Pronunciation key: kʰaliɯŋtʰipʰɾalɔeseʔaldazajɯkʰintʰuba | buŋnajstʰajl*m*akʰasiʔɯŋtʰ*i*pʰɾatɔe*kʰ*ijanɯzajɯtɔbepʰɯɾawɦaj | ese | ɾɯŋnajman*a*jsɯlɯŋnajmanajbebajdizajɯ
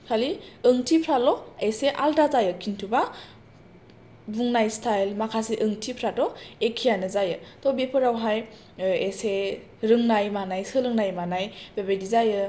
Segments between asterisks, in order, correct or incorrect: correct, correct, correct, correct

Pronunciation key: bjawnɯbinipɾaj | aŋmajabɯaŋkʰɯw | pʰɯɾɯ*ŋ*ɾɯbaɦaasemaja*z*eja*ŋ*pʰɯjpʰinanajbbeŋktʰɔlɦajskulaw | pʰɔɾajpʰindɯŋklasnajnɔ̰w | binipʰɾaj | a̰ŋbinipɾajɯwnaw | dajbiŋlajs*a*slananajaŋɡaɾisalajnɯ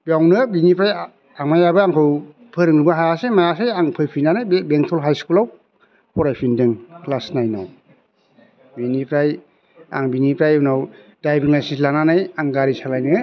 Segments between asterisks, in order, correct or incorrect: correct, incorrect, correct, incorrect

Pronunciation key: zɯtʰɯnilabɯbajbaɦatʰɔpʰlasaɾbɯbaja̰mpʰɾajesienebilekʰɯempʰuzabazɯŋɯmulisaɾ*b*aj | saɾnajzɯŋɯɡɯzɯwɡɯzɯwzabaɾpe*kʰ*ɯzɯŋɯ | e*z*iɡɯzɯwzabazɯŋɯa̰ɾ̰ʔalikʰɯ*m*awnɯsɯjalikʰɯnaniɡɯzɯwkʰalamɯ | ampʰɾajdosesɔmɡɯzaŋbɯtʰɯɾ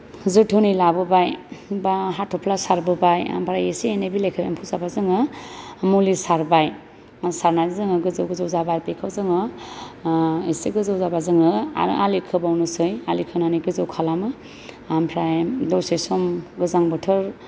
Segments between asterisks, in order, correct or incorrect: correct, correct, incorrect, incorrect

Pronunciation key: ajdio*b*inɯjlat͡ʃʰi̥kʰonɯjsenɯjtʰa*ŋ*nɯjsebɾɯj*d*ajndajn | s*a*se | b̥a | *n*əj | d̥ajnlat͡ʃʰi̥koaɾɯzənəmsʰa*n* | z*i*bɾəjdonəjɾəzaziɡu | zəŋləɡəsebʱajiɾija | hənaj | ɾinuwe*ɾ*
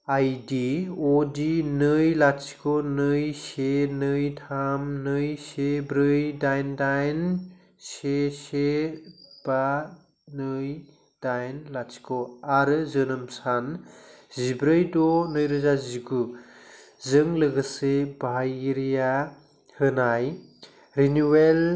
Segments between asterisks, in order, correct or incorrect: incorrect, incorrect, correct, incorrect, correct, correct, correct, incorrect

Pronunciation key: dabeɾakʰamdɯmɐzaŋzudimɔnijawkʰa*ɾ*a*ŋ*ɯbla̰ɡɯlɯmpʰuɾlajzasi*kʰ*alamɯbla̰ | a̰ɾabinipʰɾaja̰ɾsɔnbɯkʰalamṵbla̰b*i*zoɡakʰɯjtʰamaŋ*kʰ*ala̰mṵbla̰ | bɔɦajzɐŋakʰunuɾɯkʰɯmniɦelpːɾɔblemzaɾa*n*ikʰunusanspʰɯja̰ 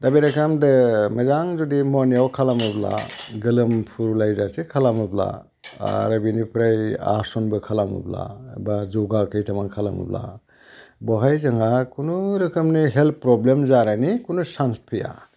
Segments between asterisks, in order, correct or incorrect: incorrect, incorrect, correct, incorrect, correct, correct

